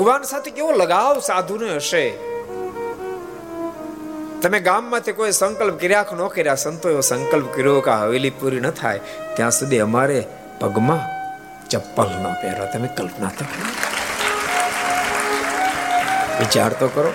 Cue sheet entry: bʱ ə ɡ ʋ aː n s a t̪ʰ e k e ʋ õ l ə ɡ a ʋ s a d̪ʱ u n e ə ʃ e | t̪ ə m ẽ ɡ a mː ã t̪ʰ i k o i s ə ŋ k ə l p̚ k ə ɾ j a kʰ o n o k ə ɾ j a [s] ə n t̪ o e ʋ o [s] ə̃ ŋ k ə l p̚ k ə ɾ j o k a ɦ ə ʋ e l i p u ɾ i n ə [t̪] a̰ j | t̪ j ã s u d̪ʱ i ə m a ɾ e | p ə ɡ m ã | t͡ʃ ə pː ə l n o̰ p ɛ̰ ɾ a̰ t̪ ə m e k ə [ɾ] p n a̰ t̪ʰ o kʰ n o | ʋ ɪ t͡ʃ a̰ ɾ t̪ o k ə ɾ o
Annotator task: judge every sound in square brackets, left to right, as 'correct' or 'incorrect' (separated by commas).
correct, correct, incorrect, incorrect